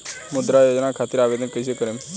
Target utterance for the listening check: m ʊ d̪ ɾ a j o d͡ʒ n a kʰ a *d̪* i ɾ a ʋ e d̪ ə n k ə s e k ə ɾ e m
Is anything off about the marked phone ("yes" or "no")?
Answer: yes